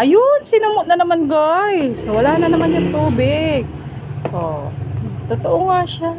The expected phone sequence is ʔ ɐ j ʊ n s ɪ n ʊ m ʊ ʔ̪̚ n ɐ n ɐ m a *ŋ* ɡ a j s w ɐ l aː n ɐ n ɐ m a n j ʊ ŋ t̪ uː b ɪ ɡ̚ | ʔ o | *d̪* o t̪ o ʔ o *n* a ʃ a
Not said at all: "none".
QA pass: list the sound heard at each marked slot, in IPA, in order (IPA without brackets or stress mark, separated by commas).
n, t̪, ŋ